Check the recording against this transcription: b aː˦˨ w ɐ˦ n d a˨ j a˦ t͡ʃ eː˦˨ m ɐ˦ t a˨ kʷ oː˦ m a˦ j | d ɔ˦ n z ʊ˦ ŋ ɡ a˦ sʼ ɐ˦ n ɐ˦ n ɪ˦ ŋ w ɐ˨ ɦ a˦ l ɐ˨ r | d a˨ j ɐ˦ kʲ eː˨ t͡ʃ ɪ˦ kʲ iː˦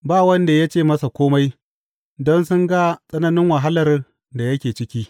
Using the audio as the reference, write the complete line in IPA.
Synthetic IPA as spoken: b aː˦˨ w ɐ˦ n d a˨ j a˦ t͡ʃ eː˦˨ m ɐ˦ s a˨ kʷ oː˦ m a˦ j | d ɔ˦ n s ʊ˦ ŋ ɡ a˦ sʼ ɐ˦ n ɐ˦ n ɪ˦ ŋ w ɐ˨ ɦ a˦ l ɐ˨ r | d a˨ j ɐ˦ kʲ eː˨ t͡ʃ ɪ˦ kʲ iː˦